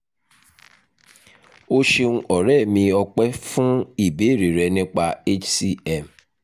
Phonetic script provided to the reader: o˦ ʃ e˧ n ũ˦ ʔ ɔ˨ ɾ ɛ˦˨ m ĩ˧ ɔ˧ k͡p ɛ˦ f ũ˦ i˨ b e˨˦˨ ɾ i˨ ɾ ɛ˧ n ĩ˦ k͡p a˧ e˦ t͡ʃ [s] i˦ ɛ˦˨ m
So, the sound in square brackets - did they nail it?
yes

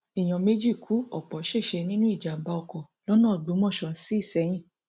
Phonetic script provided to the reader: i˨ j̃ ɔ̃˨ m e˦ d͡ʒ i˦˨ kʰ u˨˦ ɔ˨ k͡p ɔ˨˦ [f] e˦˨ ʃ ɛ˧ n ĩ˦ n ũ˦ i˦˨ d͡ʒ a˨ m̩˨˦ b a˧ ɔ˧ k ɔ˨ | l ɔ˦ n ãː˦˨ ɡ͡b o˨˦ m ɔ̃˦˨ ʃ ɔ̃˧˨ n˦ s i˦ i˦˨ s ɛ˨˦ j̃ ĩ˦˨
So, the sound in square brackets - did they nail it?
no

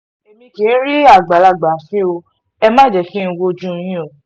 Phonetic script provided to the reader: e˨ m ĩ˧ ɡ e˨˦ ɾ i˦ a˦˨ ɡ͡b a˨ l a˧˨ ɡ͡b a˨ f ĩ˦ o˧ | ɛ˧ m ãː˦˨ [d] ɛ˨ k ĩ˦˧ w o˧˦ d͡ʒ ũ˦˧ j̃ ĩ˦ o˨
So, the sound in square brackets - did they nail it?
no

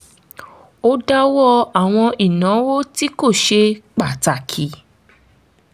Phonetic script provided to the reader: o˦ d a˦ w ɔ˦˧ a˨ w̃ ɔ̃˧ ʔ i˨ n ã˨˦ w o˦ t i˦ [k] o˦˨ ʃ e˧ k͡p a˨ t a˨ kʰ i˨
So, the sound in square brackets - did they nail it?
yes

